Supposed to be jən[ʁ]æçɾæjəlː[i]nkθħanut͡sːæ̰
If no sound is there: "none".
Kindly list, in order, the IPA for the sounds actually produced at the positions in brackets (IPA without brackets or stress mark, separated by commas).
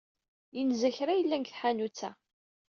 z, æ